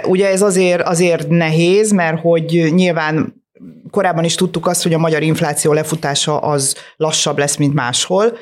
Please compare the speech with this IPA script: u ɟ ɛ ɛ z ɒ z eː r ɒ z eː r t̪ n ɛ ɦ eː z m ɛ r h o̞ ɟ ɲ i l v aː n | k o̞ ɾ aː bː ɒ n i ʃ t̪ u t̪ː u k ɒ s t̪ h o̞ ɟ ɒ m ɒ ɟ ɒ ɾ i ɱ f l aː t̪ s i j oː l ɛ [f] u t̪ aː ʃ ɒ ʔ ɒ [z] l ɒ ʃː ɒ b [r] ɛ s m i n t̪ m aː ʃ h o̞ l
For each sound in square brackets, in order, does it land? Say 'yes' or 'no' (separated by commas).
yes, yes, no